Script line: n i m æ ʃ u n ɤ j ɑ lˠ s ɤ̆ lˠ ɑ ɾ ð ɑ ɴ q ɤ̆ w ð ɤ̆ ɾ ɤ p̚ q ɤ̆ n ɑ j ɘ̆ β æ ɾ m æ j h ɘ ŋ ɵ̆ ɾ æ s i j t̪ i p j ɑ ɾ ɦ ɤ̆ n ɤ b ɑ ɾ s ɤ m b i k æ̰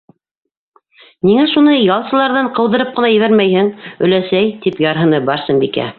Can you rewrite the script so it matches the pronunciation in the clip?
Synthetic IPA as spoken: n i ŋ æ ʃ u n ɤ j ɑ lˠ s ɤ̆ lˠ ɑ ɾ ð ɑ ɴ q ɤ̆ w ð ɤ̆ ɾ ɤ p̚ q ɤ̆ n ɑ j ɘ̆ β æ ɾ m æ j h ɘ ŋ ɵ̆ l æ s æ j t̪ i p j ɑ ɾ ɦ ɤ̆ n ɤ b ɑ ɾ s ɤ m b i k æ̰